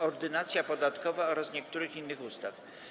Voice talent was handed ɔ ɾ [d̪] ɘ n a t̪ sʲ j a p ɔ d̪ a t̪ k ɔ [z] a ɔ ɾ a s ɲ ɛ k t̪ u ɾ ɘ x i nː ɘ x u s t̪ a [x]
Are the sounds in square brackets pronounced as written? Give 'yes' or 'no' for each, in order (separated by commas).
yes, no, no